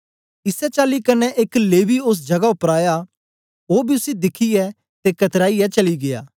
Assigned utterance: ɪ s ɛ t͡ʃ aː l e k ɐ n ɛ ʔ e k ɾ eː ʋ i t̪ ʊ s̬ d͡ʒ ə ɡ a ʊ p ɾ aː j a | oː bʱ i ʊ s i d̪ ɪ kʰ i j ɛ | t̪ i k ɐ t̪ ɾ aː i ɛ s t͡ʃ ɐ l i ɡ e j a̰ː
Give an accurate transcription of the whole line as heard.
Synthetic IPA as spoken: ɪ s ɛ t͡ʃ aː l i k ɐ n ɛ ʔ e k l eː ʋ i ʊ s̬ d͡ʒ ɐ ɡ a ʊ p ɾ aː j a | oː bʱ i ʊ s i d̪ ɪ kʰ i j ɛ | t̪ e k ɐ t̪ ɾ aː i ɛ t͡ʃ ɐ l i ɡ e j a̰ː